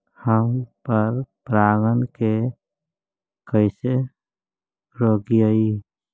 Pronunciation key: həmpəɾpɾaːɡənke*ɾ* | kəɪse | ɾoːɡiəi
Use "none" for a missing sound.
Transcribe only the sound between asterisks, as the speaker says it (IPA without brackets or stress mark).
none